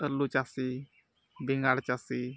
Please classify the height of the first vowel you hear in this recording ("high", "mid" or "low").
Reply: mid